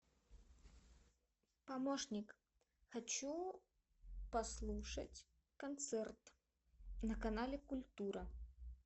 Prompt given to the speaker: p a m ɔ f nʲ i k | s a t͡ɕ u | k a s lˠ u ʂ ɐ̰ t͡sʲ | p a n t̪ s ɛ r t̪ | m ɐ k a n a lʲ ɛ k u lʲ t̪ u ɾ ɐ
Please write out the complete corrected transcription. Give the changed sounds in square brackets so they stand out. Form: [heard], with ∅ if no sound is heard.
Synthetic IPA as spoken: p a m ɔ [ʂ] nʲ i k | [x] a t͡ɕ u | [p] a s lˠ u ʂ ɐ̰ t͡sʲ | [k] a n t̪ s ɛ r t̪ | [n] ɐ k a n a lʲ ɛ k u lʲ t̪ u ɾ ɐ

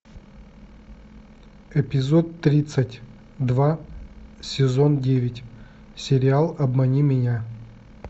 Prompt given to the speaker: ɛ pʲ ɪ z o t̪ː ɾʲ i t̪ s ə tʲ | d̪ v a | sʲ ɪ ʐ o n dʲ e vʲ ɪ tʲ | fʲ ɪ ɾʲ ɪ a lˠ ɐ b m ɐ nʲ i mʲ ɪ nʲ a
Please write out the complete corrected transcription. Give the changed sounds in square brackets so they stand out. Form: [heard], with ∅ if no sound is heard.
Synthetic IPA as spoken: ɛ pʲ ɪ z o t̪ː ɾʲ i t̪ s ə tʲ | d̪ v a | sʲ ɪ [z] o n dʲ e vʲ ɪ tʲ | [sʲ] ɪ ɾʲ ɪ a lˠ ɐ b m ɐ nʲ i mʲ ɪ nʲ a

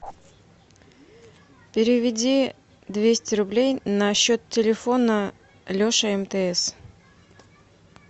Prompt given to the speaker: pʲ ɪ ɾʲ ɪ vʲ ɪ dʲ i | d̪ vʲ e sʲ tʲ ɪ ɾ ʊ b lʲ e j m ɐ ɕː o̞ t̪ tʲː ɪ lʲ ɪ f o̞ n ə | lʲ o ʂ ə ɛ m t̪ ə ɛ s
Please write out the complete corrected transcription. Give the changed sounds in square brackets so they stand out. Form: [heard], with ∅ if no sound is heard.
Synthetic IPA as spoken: pʲ ɪ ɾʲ ɪ vʲ ɪ dʲ i | d̪ vʲ e sʲ tʲ ɪ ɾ ʊ b lʲ e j [n] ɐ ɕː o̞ t̪ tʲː ɪ lʲ ɪ f o̞ n ə | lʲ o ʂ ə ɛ m t̪ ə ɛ s

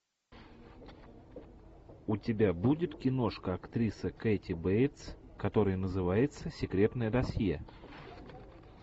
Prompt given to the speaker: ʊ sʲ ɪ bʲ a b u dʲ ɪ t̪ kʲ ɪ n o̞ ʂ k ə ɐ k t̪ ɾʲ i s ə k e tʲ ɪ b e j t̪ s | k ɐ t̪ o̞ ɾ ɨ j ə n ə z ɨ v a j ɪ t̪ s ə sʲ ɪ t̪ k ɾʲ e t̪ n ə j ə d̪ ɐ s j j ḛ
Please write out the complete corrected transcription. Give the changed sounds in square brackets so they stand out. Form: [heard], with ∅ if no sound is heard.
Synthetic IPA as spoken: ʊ [tʲ] ɪ bʲ a b u dʲ ɪ t̪ kʲ ɪ n o̞ ʂ k ə ɐ k t̪ ɾʲ i s ə k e tʲ ɪ b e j t̪ s | k ɐ t̪ o̞ ɾ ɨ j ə n ə z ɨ v a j ɪ t̪ s ə sʲ ɪ [∅] k ɾʲ e t̪ n ə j ə d̪ ɐ s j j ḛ

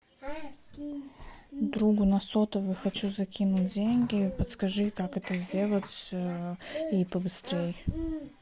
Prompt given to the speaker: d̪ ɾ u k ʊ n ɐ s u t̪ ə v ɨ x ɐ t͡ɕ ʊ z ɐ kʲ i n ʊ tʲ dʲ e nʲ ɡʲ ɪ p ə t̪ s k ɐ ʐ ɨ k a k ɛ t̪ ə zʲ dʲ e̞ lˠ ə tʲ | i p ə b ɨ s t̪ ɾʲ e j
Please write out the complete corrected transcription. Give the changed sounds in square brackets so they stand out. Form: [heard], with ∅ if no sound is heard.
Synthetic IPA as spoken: d̪ ɾ u [ɡ] ʊ n ɐ s [o] t̪ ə v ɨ x ɐ t͡ɕ [u] z ɐ kʲ i n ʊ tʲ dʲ e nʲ ɡʲ ɪ p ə t̪ s k ɐ ʐ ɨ k a k ɛ t̪ ə zʲ dʲ e̞ lˠ ə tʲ | i p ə b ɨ s t̪ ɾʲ e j

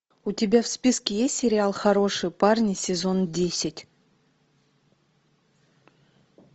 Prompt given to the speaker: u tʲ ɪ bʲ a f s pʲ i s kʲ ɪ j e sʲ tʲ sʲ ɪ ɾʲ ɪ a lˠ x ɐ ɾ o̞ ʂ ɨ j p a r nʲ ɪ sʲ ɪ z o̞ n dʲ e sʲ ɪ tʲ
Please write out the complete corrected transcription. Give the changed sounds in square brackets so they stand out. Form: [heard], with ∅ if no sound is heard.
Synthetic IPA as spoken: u tʲ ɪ bʲ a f s pʲ i s kʲ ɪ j e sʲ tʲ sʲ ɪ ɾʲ ɪ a lˠ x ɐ ɾ o̞ ʂ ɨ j p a r nʲ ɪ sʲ ɪ z o̞ n dʲ e sʲ ɪ tʲ

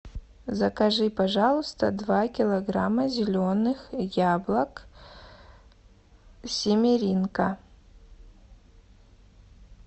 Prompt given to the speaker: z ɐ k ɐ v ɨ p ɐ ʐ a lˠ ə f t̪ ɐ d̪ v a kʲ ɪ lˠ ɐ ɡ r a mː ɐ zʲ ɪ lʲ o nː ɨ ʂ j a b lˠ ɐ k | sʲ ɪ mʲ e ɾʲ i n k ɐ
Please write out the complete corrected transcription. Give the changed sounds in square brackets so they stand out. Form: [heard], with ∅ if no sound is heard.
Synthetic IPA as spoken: z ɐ k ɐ [ʐ] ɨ p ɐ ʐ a lˠ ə [s] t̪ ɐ d̪ v a kʲ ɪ lˠ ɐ ɡ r a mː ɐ zʲ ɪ lʲ o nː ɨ [x] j a b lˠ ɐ k | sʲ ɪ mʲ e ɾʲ i n k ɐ

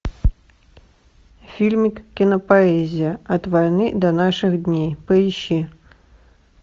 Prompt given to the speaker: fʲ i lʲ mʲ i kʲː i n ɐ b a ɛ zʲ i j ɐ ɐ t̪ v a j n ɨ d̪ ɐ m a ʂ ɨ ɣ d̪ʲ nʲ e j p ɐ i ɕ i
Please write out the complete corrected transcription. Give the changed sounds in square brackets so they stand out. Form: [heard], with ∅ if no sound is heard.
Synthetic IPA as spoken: fʲ i lʲ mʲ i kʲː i n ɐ [p] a ɛ zʲ i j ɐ ɐ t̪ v a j n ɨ d̪ ɐ [n] a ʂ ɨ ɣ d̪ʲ nʲ e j p ɐ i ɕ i

